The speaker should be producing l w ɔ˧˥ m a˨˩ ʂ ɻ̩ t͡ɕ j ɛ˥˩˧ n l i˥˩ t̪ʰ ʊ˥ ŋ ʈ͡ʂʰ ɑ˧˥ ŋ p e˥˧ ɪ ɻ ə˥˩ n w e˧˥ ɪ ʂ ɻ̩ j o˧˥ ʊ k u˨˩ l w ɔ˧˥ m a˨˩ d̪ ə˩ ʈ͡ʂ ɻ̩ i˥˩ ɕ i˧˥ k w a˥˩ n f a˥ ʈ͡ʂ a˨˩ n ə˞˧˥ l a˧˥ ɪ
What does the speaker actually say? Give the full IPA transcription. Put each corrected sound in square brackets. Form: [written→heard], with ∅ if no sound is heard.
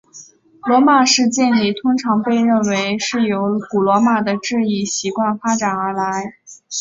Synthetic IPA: l w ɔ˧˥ m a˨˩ ʂ ɻ̩ t͡ɕ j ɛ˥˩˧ n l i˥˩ t̪ʰ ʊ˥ ŋ ʈ͡ʂʰ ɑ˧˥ ŋ p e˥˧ ɪ ɻ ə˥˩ n w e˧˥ ɪ ʂ ɻ̩ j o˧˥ ʊ k u˨˩ l w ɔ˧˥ m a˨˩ d̪ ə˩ ʈ͡ʂ ɻ̩ i˥˩ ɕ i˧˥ k w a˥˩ n f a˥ ʈ͡ʂ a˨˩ n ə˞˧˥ l a˧˥ ɪ